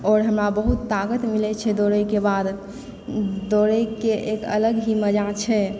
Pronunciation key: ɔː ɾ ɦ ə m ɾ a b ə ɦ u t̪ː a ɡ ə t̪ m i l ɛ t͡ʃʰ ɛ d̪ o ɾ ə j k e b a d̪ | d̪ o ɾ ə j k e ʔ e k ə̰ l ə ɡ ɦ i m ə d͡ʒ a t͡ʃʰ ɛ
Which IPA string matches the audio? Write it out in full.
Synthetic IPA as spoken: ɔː ɾ ɦ ə m ɾ a b ə ɦ u t̪ː a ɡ ə t̪ m i l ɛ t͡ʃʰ ɛ d̪ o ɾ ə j k e b a d̪ | d̪ o ɾ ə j k e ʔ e k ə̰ l ə ɡ ɦ i m ə d͡ʒ a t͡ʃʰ ɛ